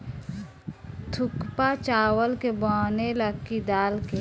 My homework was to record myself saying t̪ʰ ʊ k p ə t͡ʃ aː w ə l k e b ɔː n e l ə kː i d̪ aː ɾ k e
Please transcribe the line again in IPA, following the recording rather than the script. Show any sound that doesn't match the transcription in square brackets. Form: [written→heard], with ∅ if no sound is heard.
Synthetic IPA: t̪ʰ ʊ k p [ə→a] t͡ʃ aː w ə l k e b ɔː n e l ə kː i d̪ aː [ɾ→l] k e

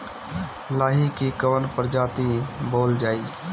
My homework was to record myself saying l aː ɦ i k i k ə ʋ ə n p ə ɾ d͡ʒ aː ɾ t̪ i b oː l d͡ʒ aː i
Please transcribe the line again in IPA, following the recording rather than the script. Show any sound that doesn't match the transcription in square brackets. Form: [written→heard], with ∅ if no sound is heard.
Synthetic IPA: l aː ɦ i k i k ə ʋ ə n p ə ɾ d͡ʒ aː [ɾ→∅] t̪ i b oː l d͡ʒ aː i

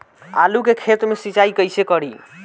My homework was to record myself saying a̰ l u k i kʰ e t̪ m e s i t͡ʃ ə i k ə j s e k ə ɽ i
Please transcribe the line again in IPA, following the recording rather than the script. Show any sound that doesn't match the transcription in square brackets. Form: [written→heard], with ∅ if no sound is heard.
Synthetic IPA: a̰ l u k [i→e] kʰ e t̪ m e s i t͡ʃ [ə→a] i k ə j s e k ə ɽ i

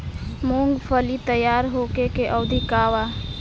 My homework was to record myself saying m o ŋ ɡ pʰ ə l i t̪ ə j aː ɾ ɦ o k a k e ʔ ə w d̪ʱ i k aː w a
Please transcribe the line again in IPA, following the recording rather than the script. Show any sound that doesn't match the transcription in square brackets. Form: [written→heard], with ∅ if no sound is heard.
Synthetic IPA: m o ŋ ɡ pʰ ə l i t̪ ə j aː ɾ ɦ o k [a→e] k e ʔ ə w d̪ʱ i k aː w a

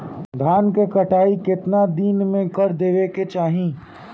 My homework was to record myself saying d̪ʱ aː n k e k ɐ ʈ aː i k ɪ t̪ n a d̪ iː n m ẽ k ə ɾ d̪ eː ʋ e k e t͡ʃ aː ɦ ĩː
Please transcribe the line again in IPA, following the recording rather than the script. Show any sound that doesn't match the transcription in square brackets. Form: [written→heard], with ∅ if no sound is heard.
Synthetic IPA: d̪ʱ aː n k e k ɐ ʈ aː i k ɪ t̪ n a d̪ iː n m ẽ k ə ɾ d̪ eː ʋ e k e t͡ʃ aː ɦ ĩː

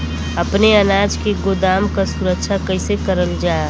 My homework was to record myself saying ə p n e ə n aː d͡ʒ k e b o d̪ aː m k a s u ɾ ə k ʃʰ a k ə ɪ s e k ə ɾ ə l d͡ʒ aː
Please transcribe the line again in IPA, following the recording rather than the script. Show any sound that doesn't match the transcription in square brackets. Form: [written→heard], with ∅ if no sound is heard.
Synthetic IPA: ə p n e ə n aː d͡ʒ k e [b→ɡ] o d̪ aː m k a s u ɾ ə k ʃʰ a k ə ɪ s e k ə ɾ ə l d͡ʒ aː

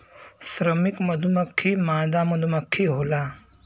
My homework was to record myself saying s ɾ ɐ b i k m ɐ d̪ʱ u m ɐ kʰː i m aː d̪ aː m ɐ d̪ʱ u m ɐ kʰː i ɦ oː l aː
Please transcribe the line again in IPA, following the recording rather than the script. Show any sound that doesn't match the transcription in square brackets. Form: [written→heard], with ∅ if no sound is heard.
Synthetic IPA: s ɾ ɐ [b→m] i k m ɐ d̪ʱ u m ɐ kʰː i m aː d̪ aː m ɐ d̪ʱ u m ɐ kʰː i ɦ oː l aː

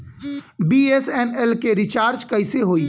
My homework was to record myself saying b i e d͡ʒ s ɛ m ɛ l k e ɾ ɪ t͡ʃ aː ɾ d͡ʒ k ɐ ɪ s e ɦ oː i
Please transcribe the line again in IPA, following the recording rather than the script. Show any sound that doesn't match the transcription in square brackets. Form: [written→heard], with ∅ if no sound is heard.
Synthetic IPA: b i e [d͡ʒ→∅] s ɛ [m→n] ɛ l k e ɾ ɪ t͡ʃ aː ɾ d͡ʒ k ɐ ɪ s e ɦ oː i

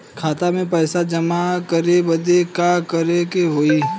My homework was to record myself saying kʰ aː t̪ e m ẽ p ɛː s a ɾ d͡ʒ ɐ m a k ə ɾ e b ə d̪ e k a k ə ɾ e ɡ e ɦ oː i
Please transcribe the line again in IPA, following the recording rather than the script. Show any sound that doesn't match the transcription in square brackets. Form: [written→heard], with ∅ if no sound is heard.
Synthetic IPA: kʰ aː t̪ [e→a] m ẽ p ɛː s a [ɾ→∅] d͡ʒ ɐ m a k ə ɾ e b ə d̪ e k a k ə ɾ e [ɡ→k] e ɦ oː i

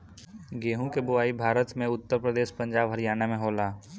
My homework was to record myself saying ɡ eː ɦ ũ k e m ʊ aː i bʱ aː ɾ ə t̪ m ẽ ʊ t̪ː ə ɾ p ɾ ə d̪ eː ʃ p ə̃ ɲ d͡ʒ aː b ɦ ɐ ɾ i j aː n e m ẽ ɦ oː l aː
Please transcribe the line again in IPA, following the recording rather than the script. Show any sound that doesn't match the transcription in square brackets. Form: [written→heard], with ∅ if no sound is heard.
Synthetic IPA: ɡ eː ɦ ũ k e [m→b] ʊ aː i bʱ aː ɾ ə t̪ m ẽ ʊ t̪ː ə ɾ p ɾ ə d̪ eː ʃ p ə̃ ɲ d͡ʒ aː b ɦ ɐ ɾ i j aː n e m ẽ ɦ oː l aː

